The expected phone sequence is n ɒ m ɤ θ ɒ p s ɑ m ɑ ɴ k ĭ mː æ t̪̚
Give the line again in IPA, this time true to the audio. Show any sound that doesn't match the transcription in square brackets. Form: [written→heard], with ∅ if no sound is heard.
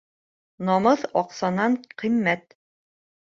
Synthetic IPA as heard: n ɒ m ɤ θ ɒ [p→q] s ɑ [m→n] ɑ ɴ [k→q] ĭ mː æ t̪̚